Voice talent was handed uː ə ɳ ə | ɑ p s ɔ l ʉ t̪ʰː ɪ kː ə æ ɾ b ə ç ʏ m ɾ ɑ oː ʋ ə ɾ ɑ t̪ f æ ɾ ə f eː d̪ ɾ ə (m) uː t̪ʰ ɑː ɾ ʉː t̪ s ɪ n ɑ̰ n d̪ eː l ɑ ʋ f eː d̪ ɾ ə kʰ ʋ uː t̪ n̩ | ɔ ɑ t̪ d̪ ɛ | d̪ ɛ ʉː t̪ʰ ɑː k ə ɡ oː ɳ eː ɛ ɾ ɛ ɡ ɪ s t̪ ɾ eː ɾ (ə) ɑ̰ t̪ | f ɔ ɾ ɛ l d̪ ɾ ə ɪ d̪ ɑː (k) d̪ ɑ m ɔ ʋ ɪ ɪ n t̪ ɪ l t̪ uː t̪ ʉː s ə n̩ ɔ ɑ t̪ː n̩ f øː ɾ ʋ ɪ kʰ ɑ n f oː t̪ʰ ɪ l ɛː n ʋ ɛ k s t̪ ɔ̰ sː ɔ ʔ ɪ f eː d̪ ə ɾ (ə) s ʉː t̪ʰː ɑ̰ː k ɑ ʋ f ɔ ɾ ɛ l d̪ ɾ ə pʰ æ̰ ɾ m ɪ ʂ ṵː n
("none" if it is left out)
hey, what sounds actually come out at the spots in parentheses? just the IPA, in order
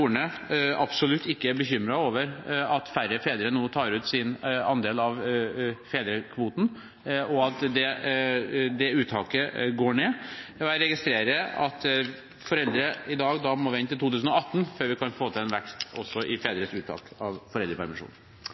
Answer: n, ə, ɡ, ə

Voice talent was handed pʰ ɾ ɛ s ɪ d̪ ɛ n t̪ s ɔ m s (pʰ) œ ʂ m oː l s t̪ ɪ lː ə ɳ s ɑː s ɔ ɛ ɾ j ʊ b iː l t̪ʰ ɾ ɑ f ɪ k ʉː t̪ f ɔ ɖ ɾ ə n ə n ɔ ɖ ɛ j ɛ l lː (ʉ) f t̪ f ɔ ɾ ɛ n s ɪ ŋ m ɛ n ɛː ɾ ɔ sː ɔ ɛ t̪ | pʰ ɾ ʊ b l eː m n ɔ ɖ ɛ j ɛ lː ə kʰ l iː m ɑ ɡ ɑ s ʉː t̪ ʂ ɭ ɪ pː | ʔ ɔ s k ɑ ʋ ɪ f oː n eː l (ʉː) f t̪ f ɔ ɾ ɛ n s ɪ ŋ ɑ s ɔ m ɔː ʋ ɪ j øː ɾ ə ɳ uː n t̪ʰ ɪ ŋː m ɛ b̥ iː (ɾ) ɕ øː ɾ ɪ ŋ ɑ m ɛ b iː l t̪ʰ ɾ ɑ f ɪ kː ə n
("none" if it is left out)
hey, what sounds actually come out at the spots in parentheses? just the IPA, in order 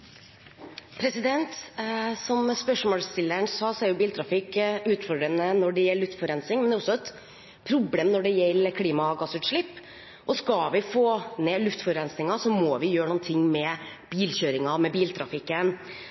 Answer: p, ʉ, ʉ, l

